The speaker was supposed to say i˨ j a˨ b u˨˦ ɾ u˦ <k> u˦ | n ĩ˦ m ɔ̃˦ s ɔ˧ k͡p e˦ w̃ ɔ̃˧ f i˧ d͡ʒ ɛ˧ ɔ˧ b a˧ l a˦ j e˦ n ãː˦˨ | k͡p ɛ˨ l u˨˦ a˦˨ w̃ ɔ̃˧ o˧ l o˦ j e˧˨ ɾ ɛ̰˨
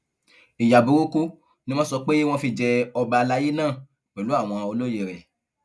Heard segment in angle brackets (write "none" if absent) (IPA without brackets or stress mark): k